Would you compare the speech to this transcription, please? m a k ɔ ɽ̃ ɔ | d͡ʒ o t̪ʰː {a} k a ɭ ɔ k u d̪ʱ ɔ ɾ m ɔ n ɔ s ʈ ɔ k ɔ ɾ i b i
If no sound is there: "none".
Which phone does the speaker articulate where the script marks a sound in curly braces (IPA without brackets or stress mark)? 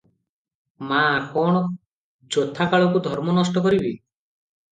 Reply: a